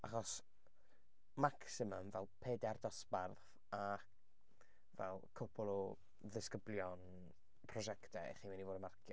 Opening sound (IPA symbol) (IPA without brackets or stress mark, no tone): a